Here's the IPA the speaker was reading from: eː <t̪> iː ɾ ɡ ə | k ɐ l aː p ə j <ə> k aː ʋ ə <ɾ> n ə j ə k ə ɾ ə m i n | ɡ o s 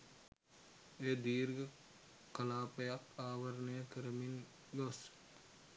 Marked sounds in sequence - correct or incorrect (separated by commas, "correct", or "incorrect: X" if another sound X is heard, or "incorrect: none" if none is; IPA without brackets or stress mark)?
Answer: incorrect: d̪, incorrect: a, correct